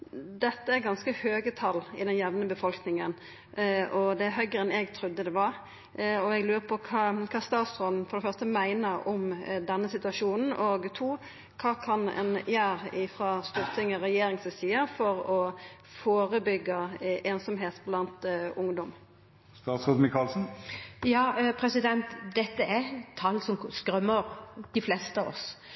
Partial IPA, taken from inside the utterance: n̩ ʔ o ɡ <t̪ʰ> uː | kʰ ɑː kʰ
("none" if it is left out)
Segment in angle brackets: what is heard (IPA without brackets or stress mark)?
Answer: t̪ʰ